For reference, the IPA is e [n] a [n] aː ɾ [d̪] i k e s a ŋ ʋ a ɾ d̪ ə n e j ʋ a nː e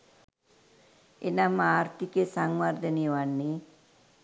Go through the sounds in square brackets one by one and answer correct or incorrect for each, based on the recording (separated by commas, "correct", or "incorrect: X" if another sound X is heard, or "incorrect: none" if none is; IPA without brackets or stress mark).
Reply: correct, incorrect: m, incorrect: t̪